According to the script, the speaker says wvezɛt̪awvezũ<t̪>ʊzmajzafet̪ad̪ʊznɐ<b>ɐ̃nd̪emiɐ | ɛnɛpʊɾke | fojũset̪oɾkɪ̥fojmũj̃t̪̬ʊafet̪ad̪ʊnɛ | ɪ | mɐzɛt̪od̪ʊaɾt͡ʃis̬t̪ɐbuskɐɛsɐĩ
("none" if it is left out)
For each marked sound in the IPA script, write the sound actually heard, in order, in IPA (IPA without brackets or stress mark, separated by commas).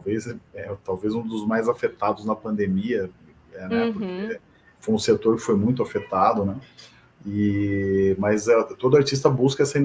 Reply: d̪, p